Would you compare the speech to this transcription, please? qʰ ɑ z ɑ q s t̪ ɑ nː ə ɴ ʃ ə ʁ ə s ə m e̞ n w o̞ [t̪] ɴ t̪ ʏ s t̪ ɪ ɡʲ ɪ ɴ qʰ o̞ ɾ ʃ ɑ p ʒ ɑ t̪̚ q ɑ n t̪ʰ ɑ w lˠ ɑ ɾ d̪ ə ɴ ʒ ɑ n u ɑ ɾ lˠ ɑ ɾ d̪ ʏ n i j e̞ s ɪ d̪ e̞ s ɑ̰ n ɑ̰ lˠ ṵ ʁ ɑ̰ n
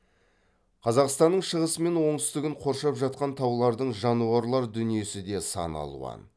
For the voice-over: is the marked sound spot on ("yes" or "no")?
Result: no